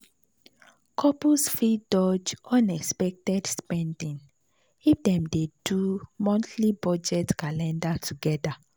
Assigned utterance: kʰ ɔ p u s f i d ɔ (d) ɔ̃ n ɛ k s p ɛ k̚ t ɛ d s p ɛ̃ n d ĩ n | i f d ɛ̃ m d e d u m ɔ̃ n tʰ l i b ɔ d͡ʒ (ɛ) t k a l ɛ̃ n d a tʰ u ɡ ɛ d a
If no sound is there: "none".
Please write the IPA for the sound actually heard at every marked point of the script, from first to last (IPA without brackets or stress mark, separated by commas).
d͡ʒ, ɛ